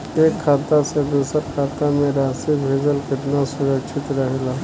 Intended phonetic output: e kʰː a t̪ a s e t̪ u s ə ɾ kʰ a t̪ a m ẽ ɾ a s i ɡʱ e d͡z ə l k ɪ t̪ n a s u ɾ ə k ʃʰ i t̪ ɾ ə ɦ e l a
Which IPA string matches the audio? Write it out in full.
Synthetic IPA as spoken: e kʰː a t̪ a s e d̪ u s ə ɾ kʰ a t̪ a m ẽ ɾ a s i bʱ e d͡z ə l k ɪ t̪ n a s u ɾ ə k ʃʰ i t̪ ɾ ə ɦ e l a